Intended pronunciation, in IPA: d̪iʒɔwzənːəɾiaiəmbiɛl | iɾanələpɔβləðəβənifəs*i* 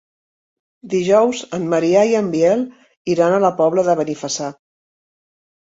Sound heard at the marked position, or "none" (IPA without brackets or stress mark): a